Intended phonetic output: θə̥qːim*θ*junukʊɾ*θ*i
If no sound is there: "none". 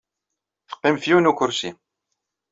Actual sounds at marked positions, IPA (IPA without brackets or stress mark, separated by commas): f, s